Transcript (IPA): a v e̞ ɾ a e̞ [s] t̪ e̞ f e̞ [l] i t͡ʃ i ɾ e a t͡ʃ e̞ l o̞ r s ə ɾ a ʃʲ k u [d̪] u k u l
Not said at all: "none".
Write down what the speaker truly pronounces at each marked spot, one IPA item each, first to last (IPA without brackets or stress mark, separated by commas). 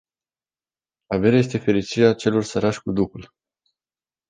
s, ɾ, d̪